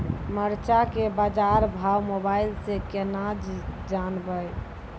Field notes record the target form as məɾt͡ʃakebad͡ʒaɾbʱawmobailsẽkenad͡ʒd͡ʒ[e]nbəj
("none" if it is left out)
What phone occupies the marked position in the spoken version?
a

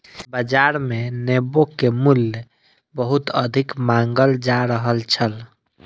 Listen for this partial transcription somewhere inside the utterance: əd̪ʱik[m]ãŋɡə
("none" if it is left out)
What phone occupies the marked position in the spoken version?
m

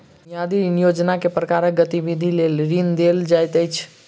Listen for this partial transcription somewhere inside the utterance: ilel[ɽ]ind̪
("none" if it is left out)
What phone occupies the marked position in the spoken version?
ɾ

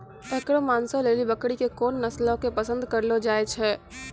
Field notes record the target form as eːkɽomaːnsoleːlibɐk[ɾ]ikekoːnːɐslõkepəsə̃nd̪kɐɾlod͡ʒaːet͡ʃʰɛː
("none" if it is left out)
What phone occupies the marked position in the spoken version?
ɽ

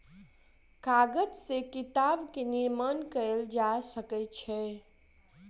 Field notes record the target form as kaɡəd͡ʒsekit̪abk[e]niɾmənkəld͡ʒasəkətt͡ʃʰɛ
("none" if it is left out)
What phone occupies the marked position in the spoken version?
e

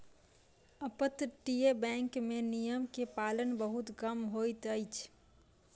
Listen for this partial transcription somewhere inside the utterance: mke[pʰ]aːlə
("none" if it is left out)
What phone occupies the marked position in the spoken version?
p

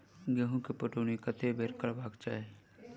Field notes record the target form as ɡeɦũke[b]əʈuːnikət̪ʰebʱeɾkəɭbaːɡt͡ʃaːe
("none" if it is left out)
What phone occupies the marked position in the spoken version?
p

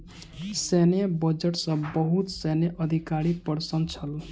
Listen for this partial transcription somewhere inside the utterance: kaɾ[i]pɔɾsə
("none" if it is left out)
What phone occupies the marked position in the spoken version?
i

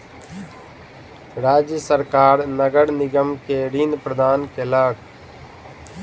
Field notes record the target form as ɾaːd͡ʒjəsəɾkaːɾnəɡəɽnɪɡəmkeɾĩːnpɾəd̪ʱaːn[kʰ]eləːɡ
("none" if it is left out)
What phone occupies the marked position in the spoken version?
k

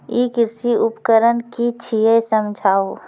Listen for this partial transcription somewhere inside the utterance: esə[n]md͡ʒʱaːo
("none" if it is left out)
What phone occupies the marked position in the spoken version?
none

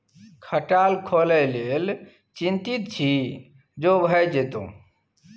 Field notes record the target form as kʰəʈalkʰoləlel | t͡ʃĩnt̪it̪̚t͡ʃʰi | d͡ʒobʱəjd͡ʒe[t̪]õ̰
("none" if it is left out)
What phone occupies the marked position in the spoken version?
t̪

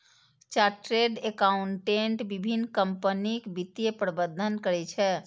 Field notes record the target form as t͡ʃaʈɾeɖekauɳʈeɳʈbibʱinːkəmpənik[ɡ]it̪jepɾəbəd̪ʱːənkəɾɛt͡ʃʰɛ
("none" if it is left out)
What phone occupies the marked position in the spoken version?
b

